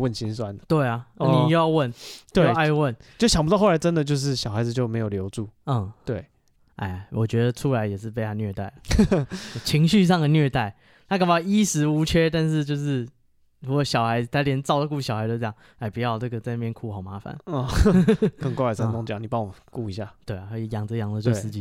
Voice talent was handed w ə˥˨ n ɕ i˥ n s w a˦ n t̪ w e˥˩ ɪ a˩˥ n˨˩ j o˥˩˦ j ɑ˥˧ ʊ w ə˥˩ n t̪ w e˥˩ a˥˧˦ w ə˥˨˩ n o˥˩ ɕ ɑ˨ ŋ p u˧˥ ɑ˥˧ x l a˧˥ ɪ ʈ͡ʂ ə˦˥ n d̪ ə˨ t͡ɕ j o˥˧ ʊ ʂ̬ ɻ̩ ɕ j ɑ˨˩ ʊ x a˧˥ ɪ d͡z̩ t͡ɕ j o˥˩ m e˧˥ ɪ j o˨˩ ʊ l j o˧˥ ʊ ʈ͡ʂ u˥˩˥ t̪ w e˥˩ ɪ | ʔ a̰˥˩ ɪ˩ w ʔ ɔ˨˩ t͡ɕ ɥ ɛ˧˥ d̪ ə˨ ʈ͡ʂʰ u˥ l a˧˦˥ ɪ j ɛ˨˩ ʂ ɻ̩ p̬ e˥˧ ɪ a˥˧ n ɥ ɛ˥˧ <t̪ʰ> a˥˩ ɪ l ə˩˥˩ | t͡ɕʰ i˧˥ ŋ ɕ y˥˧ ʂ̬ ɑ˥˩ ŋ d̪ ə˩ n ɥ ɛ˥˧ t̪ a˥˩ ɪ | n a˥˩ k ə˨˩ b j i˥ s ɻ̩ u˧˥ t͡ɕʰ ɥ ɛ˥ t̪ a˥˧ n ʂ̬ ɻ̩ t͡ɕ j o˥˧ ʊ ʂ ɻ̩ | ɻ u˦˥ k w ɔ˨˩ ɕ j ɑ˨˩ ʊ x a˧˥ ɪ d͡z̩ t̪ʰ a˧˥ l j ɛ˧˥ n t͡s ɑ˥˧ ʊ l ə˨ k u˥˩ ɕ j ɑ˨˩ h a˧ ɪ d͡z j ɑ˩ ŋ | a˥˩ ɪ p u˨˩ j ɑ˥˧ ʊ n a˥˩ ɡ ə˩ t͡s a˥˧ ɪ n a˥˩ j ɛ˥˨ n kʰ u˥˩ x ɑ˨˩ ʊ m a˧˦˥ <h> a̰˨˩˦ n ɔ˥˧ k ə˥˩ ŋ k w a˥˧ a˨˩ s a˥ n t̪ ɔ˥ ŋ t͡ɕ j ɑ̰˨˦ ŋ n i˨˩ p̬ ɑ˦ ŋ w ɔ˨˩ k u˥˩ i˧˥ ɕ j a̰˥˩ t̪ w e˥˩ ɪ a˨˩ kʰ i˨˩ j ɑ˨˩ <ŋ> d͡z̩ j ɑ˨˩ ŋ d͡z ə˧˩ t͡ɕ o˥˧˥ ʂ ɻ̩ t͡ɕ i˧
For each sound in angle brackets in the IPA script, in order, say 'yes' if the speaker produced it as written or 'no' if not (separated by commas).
no, no, yes